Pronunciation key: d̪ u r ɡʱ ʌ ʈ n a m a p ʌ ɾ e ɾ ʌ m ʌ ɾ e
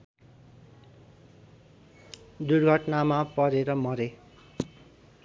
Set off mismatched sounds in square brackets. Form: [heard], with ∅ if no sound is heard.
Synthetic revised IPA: d̪ u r ɡʱ ʌ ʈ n a m a p ʌ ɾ e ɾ ʌ m ʌ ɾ e